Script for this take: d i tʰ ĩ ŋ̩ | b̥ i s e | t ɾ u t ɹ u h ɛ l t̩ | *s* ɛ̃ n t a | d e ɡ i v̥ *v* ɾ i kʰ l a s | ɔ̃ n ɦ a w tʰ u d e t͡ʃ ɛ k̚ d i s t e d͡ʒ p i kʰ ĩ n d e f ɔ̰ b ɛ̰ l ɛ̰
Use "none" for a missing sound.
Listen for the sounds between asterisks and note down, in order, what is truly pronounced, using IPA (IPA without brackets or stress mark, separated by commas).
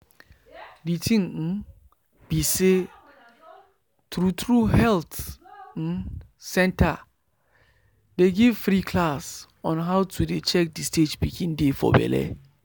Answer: s, f